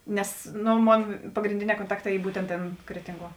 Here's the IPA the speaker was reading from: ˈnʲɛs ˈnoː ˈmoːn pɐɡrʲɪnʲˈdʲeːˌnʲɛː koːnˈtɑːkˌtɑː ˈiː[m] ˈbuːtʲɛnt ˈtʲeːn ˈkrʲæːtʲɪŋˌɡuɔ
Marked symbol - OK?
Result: no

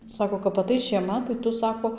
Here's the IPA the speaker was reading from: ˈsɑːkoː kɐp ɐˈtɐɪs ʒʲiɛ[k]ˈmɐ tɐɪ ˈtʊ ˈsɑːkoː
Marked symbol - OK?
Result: no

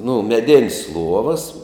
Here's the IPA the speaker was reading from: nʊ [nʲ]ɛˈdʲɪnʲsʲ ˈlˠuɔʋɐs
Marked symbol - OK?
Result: no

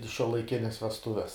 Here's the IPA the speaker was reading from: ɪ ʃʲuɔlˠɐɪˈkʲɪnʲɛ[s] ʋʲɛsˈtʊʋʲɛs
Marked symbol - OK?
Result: yes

